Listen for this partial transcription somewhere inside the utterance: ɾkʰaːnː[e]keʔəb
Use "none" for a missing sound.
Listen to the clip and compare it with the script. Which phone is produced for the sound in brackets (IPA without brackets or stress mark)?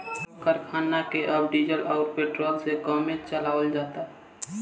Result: a